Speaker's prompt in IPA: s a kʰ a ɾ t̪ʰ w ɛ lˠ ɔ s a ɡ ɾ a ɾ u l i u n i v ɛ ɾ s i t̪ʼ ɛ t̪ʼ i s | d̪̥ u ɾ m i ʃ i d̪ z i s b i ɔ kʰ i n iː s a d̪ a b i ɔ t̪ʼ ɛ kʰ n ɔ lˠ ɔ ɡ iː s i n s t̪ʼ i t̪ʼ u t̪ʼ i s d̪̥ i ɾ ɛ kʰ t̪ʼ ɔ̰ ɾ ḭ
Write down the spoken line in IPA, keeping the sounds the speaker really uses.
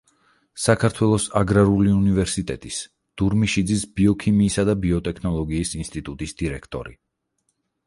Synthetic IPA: s a kʰ a ɾ t̪ʰ w ɛ lˠ ɔ s a ɡ ɾ a ɾ u l i u n i v ɛ ɾ s i t̪ʼ ɛ t̪ʼ i s | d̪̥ u ɾ m i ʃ i d̪ z i s b i ɔ kʰ i m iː s a d̪ a b i ɔ t̪ʼ ɛ kʰ n ɔ lˠ ɔ ɡ iː s i n s t̪ʼ i t̪ʼ u t̪ʼ i s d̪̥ i ɾ ɛ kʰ t̪ʼ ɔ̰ ɾ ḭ